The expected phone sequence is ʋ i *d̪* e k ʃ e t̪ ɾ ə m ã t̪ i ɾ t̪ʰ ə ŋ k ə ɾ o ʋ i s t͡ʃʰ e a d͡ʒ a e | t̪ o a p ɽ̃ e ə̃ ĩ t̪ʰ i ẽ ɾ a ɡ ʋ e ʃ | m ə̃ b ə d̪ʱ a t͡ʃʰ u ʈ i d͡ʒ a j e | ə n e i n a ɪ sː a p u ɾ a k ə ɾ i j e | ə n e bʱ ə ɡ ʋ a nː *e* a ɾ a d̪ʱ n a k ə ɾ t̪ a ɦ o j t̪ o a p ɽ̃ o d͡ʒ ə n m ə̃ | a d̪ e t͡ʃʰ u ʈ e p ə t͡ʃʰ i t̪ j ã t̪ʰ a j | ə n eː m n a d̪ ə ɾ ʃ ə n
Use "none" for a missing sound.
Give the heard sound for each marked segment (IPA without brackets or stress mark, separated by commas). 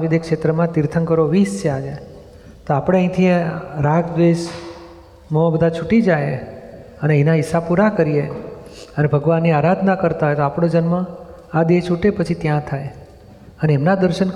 d̪, i